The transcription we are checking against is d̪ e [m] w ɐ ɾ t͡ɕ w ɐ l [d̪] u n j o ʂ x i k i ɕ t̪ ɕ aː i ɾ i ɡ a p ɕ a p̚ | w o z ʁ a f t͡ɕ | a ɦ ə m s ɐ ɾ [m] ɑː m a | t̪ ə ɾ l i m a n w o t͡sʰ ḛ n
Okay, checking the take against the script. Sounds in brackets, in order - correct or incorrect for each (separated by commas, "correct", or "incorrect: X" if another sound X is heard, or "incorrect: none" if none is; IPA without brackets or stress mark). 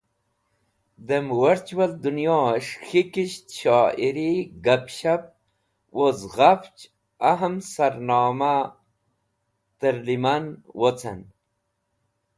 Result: correct, correct, incorrect: n